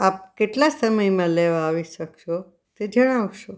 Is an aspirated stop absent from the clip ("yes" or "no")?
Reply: yes